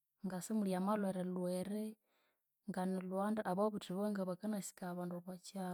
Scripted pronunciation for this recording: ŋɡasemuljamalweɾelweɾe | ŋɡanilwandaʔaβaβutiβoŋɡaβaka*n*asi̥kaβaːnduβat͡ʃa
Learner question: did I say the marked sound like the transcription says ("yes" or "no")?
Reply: yes